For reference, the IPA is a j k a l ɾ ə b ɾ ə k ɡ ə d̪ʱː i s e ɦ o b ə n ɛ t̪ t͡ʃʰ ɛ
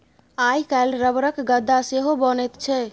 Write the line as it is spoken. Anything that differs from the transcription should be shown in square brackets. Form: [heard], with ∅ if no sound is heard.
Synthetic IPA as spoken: a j k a l ɾ ə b ɾ ə k ɡ ə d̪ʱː [a] s e ɦ o b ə n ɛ t̪ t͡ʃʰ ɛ